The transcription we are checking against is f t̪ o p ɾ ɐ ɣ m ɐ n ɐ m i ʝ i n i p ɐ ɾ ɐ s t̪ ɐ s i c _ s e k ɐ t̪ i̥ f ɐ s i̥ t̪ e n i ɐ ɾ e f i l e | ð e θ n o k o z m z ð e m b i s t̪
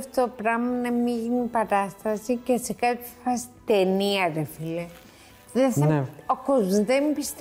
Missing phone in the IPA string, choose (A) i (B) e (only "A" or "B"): B